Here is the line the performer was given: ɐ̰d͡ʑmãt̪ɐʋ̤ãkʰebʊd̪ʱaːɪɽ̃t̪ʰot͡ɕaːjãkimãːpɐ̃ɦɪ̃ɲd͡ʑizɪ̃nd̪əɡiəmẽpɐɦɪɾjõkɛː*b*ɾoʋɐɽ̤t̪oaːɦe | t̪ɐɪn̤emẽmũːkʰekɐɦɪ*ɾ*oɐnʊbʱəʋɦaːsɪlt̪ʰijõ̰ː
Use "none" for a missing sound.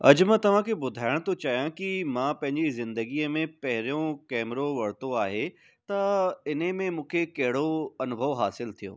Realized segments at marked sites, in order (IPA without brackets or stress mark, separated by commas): m, ɽ